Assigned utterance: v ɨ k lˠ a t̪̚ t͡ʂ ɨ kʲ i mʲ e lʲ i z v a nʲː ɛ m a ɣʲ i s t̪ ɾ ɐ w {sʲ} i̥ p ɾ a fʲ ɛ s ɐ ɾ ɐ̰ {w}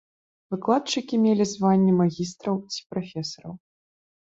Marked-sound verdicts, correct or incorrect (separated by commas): incorrect, correct